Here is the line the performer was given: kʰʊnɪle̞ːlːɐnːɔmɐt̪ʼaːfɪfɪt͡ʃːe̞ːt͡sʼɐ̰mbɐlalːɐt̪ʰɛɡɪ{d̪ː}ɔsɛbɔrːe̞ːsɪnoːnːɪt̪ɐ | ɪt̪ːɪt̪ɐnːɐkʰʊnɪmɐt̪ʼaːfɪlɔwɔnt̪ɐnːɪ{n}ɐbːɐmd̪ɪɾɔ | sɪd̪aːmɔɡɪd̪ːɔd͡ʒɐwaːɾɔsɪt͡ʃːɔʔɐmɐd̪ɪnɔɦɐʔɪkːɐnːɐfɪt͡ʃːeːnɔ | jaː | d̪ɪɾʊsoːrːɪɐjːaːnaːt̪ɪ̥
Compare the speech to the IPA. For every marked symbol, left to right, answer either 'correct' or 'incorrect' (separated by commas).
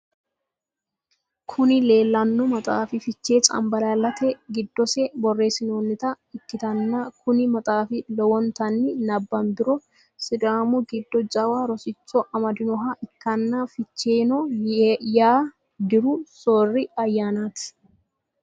correct, correct